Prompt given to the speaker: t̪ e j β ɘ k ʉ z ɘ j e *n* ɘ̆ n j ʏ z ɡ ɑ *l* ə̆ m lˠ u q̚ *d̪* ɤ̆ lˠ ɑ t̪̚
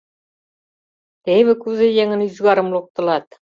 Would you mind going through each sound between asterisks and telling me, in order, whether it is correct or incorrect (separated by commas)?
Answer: incorrect, incorrect, incorrect